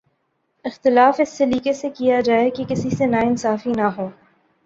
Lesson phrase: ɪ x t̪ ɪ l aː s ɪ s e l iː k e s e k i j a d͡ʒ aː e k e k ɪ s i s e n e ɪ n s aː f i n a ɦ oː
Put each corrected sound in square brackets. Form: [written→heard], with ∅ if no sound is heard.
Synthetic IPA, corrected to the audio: ɪ x t̪ ɪ l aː [s→f] ɪ [s→sː] e l iː k e s e k i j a d͡ʒ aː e k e k ɪ s i s e n [e→a] ɪ n s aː f i n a ɦ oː

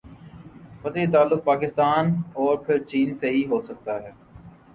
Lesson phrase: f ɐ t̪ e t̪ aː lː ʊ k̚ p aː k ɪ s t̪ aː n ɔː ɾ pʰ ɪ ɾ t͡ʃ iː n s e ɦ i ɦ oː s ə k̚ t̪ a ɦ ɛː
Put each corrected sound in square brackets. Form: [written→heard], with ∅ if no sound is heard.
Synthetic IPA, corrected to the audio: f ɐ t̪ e t̪ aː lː ʊ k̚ p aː k ɪ s t̪ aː n ɔː ɾ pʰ ɪ ɾ t͡ʃ iː n s e ɦ i ɦ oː s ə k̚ t̪ a ɦ ɛː

